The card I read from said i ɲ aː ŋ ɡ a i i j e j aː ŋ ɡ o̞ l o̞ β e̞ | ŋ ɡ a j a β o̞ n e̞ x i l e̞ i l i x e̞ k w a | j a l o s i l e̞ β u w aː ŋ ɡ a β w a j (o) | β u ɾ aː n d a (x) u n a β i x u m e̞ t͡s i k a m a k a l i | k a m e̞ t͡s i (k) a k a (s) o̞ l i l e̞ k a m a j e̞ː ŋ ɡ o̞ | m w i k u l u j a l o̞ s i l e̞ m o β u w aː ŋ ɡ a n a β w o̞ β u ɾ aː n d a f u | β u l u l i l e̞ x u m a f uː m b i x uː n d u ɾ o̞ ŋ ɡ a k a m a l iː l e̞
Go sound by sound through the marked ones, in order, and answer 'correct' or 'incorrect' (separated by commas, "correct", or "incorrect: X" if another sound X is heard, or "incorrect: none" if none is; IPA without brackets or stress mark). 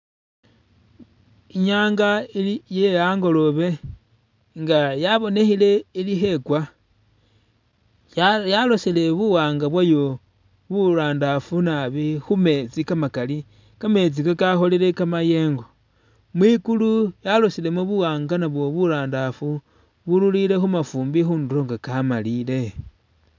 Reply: correct, incorrect: f, correct, incorrect: x